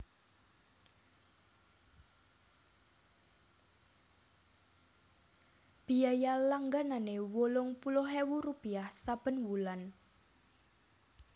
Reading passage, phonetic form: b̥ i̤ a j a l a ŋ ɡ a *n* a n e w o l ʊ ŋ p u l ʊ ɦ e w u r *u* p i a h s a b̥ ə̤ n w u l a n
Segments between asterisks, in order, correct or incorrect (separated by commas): correct, correct